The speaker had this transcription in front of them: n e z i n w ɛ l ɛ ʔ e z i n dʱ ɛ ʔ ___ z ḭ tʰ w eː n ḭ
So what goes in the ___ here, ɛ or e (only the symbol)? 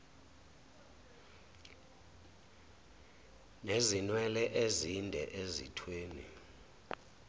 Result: e